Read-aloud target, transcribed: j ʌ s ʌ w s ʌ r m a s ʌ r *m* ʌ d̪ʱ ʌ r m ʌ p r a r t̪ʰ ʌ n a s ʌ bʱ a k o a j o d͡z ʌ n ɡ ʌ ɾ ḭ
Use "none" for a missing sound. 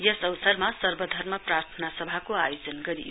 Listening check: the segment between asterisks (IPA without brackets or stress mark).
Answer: b